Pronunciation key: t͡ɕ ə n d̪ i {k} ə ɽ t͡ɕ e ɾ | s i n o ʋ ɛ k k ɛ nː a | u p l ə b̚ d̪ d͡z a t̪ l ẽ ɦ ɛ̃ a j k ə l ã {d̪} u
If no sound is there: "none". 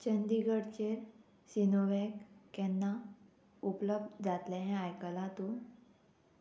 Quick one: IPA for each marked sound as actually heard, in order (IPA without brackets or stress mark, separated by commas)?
ɡ, t̪